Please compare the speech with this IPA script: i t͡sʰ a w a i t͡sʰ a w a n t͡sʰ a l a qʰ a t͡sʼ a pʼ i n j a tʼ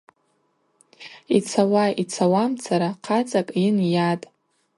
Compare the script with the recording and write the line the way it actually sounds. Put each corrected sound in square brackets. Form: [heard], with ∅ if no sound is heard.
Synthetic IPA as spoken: i t͡sʰ a w a i t͡sʰ a w a [m] t͡sʰ a [ɾ] a qʰ a t͡sʼ a [kʼ] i n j a tʼ